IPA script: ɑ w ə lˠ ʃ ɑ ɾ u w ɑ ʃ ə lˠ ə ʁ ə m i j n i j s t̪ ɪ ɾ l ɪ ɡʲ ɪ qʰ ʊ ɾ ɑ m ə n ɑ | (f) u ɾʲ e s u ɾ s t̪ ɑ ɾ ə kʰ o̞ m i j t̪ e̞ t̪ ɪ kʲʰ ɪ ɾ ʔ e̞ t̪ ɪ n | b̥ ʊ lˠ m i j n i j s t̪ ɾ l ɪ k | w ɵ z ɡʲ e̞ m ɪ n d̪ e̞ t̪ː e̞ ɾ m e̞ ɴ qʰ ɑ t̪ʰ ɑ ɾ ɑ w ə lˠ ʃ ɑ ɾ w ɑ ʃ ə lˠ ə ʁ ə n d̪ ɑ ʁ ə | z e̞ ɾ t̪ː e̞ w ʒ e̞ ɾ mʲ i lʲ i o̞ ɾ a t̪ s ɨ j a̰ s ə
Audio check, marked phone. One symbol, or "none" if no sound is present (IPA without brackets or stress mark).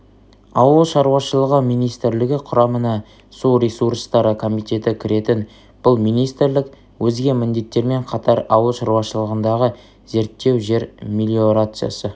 s